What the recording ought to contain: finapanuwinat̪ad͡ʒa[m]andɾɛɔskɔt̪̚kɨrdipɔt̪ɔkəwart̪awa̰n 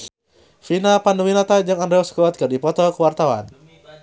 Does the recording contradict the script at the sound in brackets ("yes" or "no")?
yes